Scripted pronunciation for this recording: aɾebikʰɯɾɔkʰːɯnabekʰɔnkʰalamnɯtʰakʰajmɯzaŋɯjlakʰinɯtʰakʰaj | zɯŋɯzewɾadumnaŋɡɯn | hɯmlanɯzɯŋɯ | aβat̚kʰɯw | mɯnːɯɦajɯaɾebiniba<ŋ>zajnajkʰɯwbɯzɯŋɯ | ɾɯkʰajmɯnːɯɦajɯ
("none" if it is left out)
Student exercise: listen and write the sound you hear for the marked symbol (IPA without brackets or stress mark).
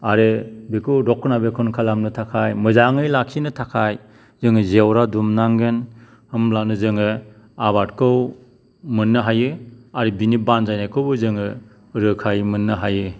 n